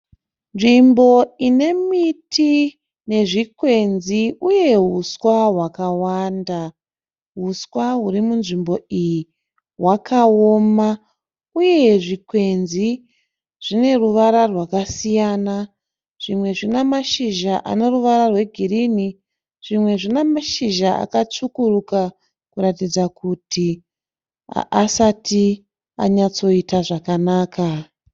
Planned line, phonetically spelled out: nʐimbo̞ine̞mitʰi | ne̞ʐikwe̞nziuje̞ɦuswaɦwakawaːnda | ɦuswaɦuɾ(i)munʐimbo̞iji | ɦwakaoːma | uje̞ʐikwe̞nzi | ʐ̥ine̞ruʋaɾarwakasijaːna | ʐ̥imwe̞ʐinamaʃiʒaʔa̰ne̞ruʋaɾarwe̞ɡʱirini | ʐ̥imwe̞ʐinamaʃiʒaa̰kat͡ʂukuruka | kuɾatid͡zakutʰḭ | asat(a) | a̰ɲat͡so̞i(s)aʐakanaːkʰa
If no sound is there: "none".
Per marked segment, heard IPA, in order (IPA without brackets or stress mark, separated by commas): i, i, t